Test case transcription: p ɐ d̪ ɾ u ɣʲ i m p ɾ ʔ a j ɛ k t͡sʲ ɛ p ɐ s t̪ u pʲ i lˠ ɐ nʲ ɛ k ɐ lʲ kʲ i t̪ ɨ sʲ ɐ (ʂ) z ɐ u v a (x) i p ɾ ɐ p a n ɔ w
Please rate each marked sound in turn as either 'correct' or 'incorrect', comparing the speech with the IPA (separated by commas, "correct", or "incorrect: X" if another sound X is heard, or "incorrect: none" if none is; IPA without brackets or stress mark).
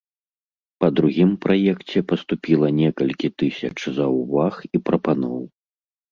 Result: incorrect: t͡ʂ, correct